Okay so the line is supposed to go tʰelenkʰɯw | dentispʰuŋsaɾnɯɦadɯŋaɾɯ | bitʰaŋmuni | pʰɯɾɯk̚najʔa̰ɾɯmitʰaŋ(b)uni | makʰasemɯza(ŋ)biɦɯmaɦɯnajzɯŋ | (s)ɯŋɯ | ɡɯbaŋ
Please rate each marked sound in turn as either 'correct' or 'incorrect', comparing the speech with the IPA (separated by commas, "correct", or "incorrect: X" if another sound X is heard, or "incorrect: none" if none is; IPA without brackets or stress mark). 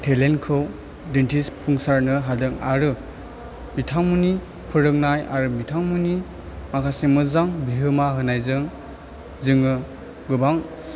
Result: incorrect: m, correct, incorrect: z